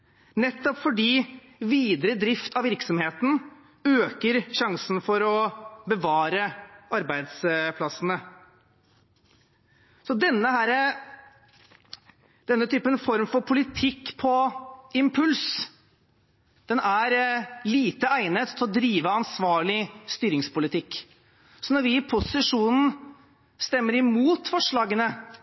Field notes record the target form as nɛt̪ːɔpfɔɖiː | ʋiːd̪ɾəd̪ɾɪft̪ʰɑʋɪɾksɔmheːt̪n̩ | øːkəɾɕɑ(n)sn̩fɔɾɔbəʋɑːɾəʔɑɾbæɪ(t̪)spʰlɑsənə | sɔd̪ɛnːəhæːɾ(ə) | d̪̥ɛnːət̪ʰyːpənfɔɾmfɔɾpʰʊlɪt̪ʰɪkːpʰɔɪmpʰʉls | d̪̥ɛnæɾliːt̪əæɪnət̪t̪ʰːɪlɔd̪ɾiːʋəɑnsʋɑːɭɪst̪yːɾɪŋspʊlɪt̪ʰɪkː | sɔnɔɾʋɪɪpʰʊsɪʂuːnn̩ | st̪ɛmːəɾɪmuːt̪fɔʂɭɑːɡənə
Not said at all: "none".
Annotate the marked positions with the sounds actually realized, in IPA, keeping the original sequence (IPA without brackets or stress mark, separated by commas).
ŋ, d̪, ə